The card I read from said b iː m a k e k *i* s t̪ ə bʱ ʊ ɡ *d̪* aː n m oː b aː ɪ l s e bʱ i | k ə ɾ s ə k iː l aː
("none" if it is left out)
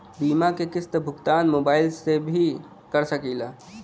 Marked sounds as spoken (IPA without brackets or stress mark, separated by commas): ɪ, t̪